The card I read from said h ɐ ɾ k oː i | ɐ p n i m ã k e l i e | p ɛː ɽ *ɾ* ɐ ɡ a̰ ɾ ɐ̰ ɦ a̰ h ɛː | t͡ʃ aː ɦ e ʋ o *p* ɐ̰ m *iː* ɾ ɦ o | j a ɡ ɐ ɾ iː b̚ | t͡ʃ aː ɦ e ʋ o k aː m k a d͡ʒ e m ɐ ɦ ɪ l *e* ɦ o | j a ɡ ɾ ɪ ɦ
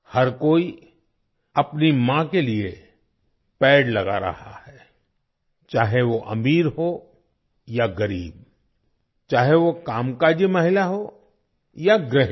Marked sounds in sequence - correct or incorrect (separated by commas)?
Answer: incorrect, incorrect, correct, incorrect